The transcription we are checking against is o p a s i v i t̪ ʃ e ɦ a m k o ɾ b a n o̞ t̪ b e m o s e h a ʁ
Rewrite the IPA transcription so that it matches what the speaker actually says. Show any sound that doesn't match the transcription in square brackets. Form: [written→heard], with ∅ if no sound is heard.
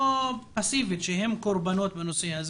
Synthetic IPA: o p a s i v i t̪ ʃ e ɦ [a→e] m k o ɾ b a n o̞ t̪ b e [m→n] o s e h a [ʁ→z]